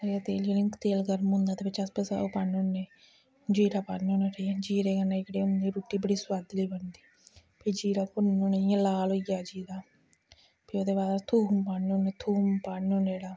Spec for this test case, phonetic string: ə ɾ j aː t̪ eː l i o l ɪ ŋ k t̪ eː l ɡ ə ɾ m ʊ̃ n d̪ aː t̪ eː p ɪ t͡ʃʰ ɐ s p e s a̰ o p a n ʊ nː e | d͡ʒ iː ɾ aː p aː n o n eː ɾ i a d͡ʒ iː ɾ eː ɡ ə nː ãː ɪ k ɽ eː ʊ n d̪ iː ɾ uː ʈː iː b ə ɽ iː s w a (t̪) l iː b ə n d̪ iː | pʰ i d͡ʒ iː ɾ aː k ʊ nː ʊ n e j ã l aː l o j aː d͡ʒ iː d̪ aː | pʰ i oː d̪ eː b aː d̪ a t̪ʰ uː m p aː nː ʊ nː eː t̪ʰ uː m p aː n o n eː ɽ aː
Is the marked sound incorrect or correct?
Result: incorrect: d̪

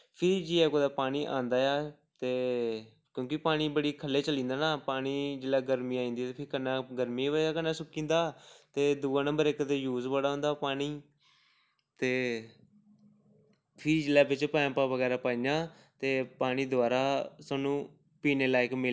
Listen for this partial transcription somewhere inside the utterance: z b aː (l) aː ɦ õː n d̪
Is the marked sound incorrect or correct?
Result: incorrect: ɽ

